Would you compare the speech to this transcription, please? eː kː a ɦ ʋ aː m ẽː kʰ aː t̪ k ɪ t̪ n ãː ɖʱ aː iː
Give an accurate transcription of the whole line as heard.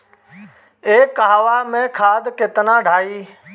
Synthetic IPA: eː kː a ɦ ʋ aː m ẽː kʰ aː d̪ k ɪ t̪ n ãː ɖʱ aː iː

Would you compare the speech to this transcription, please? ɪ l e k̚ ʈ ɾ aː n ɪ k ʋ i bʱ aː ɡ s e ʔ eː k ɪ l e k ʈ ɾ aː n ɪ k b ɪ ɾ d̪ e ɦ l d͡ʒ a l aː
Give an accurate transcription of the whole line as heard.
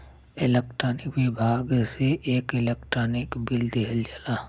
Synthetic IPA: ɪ l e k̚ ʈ ɾ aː n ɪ k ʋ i bʱ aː ɡ s e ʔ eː k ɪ l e k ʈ ɾ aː n ɪ k b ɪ l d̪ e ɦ l d͡ʒ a l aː

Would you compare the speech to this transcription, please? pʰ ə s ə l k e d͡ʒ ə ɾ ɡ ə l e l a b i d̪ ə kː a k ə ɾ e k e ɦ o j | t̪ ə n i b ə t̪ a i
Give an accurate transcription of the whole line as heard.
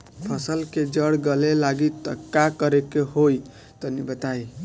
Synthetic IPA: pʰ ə s ə l k e d͡ʒ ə ɽ ɡ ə l e l a ɡ i t̪ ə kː a k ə ɾ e k e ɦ o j | t̪ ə n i b ə t̪ a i

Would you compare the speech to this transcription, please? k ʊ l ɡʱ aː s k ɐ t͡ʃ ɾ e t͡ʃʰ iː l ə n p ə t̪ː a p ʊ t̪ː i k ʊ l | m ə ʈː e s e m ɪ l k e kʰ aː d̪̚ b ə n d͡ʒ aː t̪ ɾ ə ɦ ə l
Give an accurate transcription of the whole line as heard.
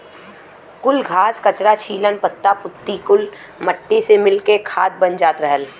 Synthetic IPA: k ʊ l ɡʱ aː s k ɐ t͡ʃ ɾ a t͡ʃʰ iː l ə n p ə t̪ː a p ʊ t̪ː i k ʊ l | m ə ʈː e s e m ɪ l k e kʰ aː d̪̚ b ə n d͡ʒ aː t̪ ɾ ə ɦ ə l

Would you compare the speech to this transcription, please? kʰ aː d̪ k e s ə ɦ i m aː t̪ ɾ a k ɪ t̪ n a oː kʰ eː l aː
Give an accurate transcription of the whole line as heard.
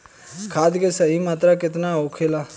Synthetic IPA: kʰ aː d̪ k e s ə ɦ i m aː t̪ ɾ a k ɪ t̪ n a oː kʰ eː l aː

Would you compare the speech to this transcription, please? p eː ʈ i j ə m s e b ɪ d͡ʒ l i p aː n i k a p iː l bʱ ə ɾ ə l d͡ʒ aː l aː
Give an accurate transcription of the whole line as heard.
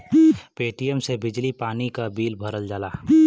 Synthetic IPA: p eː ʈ i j ə m s e b ɪ d͡ʒ l i p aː n i k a b iː l bʱ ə ɾ ə l d͡ʒ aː l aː

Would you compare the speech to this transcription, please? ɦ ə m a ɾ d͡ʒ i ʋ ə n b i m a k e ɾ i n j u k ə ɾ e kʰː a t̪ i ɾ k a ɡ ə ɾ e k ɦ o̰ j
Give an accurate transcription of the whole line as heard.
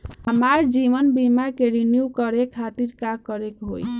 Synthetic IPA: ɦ ə m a ɾ d͡ʒ i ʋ ə n b i m a k e ɾ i n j u k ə ɾ e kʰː a t̪ i ɾ k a k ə ɾ e k ɦ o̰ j

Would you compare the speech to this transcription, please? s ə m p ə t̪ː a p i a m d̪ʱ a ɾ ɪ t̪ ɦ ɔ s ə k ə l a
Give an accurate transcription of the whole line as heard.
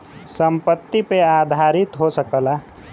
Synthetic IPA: s ə m p ə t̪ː i p e a d̪ʱ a ɾ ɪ t̪ ɦ o s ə k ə l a

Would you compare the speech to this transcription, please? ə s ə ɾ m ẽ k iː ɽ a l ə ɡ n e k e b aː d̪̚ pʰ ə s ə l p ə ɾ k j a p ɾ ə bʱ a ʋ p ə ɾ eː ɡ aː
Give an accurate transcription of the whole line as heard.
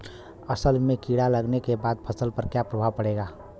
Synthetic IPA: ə s ə l m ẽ k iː ɽ a l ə ɡ n e k e b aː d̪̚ pʰ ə s ə l p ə ɾ k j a p ɾ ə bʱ a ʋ p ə ɽ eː ɡ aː

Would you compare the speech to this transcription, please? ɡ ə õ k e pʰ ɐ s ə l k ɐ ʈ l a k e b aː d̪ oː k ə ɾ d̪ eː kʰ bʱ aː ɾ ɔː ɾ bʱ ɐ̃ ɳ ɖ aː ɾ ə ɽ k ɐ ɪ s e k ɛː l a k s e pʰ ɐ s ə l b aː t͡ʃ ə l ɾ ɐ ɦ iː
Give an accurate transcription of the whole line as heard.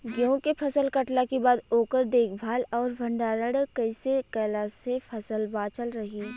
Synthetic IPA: ɡ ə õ k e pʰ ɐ s ə l k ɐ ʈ l a k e b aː d̪ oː k ə ɾ d̪ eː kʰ bʱ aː l ɔː ɾ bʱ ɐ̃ ɳ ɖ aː ɾ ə ɽ k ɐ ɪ s e k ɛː l a s e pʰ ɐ s ə l b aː t͡ʃ ə l ɾ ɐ ɦ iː

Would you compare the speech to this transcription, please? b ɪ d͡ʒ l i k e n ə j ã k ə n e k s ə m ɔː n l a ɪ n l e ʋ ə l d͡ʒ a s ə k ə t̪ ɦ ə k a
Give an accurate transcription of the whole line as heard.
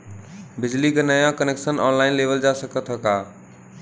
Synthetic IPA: b ɪ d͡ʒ l i k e n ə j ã k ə n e k s ə n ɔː n l a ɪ n l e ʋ ə l d͡ʒ a s ə k ə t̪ ɦ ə k a

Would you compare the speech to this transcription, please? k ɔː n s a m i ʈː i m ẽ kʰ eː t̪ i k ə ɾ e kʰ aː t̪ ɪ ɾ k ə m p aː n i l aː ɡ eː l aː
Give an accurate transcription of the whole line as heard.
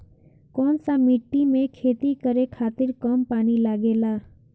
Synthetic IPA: k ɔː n s a m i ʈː i m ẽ kʰ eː t̪ i k ə ɾ e kʰ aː t̪ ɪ ɾ k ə m p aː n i l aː ɡ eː l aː

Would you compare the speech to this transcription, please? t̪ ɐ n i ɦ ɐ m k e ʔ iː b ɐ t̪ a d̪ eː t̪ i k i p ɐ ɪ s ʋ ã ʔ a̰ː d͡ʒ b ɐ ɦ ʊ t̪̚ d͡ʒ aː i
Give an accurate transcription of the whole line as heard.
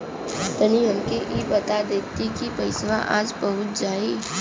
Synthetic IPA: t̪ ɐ n i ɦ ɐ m k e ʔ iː b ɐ t̪ a d̪ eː t̪ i k i p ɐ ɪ s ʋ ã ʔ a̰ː d͡ʒ b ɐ ɦ ʊ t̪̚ d͡ʒ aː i

